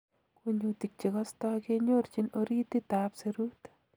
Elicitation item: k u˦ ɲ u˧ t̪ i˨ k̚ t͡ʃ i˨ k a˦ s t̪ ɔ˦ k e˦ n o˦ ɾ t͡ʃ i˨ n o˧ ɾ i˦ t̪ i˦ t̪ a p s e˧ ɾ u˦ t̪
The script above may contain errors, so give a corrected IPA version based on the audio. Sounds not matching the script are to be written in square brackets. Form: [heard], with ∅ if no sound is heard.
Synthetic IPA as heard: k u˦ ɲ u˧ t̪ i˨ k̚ t͡ʃ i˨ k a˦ s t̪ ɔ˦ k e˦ [ɲ] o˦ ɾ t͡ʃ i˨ n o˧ ɾ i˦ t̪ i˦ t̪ a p s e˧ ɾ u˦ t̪